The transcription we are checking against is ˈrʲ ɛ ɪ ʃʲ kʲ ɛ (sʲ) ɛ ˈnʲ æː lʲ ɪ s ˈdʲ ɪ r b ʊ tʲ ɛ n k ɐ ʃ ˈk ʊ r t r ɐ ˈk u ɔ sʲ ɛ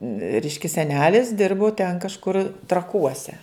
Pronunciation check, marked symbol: correct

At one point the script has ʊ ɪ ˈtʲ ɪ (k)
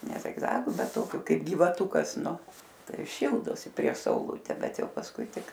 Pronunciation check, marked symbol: correct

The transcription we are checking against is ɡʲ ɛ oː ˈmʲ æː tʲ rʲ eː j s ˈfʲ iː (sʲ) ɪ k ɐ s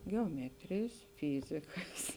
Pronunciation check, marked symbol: incorrect: zʲ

